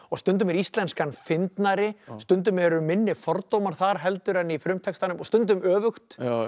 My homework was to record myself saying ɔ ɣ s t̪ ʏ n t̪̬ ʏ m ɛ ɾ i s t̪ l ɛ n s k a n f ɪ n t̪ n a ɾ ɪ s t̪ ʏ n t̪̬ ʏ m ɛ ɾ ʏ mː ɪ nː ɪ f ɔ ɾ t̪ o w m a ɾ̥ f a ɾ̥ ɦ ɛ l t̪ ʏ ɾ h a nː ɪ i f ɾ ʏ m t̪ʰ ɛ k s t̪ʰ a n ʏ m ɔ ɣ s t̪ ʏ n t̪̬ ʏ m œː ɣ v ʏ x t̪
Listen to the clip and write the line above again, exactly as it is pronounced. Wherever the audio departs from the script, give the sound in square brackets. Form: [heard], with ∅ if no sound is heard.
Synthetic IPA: ɔ ɣ s t̪ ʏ n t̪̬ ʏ m ɛ ɾ i s t̪ l ɛ n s k a n f ɪ n t̪ n a ɾ ɪ s t̪ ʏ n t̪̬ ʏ m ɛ ɾ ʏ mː ɪ nː ɪ f ɔ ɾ t̪ o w m a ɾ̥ [θ] a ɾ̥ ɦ ɛ l t̪ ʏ ɾ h a nː ɪ i f ɾ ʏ m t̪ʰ ɛ k s [t̪] a n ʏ m ɔ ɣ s t̪ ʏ n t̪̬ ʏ m œː [∅] v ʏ x t̪